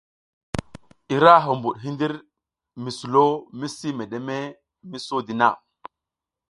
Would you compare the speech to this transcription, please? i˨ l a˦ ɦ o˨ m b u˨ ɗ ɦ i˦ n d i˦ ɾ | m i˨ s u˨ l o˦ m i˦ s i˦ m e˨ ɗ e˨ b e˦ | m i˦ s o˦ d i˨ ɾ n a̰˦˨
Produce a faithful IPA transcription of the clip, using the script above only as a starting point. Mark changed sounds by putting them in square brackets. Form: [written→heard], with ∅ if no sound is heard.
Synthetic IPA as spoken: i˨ [l→ɾ] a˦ ɦ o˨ m b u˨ ɗ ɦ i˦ n d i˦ ɾ | m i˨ s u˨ l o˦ m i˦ s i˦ m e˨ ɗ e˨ [b→m] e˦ | m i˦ s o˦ d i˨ [ɾ→∅] n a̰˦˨